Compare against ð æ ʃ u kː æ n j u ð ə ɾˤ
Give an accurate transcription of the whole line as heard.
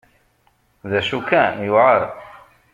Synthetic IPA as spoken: ð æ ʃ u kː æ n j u ʕ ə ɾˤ